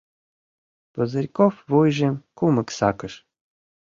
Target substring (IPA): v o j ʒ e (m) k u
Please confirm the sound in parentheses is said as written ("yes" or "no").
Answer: yes